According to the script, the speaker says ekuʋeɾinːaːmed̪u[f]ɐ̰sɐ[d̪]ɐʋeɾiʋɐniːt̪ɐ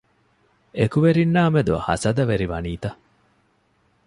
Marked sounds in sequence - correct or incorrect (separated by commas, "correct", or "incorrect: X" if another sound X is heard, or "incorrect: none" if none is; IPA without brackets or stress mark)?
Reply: incorrect: h, correct